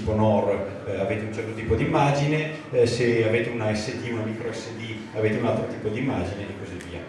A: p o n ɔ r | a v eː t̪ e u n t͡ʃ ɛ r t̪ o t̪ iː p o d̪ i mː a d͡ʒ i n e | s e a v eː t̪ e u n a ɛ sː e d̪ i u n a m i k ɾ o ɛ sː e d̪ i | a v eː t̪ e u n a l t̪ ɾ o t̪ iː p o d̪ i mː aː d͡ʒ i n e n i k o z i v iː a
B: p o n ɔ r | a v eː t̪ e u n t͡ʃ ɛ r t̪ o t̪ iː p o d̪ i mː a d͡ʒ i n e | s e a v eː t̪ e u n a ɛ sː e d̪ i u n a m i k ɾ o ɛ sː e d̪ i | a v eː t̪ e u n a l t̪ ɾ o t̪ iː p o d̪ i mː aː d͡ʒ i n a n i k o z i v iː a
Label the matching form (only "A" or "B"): A